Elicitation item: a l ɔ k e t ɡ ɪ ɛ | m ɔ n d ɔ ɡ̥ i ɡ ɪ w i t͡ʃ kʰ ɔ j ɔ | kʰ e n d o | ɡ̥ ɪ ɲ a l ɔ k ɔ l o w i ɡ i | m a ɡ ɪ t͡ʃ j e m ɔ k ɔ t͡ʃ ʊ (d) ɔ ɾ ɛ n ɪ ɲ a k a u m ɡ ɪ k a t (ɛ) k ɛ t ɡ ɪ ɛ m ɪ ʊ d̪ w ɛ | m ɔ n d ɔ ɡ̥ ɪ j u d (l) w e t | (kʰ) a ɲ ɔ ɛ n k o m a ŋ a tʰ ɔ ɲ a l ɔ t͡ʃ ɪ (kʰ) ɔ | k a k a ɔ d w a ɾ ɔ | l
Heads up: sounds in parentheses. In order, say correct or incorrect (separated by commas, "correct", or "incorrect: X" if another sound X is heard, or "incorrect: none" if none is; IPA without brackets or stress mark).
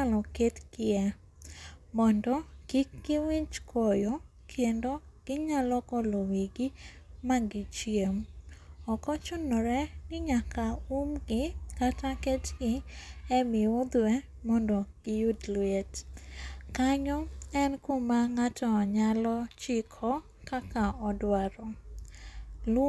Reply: incorrect: n, incorrect: a, correct, incorrect: k, correct